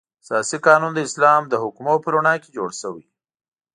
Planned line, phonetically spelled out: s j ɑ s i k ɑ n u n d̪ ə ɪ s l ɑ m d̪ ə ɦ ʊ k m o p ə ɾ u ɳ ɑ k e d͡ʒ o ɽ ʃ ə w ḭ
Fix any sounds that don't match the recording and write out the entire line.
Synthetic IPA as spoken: s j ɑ s i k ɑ n u n d̪ ə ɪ s l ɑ m d̪ ə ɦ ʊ k m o p ə ɾ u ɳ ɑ k e d͡ʒ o ɽ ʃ ə w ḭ